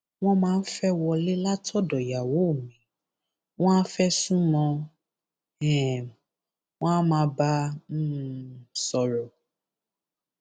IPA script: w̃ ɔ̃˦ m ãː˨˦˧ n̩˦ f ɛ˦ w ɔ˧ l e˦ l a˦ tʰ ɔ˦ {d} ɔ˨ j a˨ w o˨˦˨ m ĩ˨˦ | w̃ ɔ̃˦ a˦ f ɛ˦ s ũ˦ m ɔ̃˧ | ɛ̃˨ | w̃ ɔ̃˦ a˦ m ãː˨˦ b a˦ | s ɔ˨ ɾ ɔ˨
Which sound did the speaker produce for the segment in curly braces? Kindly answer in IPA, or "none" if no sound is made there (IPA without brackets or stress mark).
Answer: d